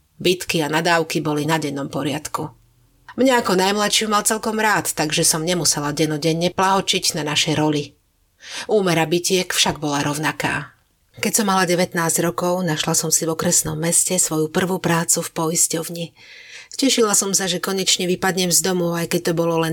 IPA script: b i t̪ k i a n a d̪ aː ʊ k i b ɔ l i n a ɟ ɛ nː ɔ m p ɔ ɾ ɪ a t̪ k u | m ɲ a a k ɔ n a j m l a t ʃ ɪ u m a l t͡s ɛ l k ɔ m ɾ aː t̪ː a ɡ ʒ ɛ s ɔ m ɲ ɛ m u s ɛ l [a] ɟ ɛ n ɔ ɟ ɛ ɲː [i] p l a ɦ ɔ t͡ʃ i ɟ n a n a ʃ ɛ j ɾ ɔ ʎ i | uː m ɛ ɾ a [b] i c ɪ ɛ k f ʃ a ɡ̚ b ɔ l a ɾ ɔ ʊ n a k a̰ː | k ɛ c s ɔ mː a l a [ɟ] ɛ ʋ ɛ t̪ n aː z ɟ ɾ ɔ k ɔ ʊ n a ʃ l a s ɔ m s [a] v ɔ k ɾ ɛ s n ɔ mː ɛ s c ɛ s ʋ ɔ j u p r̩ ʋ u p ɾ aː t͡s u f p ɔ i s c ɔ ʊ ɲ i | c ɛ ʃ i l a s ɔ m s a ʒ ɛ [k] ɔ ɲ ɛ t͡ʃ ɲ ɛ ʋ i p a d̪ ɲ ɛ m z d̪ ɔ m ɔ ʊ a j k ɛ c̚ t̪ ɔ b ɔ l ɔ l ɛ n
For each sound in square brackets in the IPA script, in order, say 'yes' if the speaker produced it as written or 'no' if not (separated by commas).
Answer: yes, no, yes, yes, no, yes